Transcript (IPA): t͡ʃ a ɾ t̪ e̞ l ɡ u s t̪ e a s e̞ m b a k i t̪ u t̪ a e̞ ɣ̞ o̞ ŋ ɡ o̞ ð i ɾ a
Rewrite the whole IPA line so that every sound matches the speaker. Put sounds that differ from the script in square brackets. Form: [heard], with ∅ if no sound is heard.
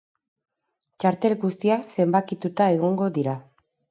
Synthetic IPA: t͡ʃ a ɾ t̪ e̞ l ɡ u s t̪ [i] a s e̞ m b a k i t̪ u t̪ a e̞ ɣ̞ o̞ ŋ ɡ o̞ ð i ɾ a